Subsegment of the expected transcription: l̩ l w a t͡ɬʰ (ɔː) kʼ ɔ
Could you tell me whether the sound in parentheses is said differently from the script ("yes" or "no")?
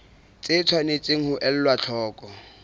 no